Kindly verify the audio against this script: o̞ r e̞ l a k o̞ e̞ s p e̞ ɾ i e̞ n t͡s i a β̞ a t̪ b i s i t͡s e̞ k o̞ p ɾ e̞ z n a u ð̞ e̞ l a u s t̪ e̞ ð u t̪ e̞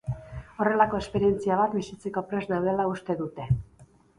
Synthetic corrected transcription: o̞ r e̞ l a k o̞ e̞ s p e̞ ɾ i e̞ n t͡s i a β̞ a t̪ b i s i t͡s e̞ k o̞ p ɾ e̞ z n a w ð̞ e̞ l a u s t̪ e̞ ð u t̪ e̞